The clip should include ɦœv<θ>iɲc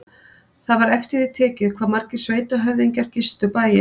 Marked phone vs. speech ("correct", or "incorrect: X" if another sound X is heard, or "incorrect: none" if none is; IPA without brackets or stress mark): incorrect: ð